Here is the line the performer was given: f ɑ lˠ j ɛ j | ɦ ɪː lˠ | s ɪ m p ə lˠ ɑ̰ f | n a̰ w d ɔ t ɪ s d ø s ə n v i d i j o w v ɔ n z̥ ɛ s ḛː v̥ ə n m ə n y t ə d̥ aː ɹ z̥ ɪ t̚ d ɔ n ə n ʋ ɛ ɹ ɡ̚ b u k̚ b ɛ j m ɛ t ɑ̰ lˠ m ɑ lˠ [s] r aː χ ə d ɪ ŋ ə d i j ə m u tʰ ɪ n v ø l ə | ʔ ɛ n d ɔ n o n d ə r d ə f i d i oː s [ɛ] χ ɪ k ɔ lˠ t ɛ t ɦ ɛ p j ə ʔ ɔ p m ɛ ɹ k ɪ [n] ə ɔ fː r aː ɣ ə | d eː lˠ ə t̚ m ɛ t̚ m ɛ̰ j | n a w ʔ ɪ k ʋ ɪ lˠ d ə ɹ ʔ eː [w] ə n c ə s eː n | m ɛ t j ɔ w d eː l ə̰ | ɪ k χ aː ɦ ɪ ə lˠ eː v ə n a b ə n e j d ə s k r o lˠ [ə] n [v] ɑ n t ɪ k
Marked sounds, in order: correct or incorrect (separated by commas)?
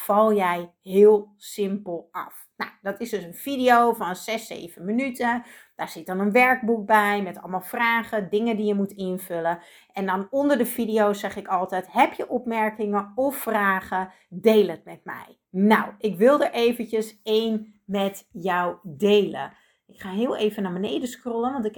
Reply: incorrect, correct, incorrect, incorrect, correct, incorrect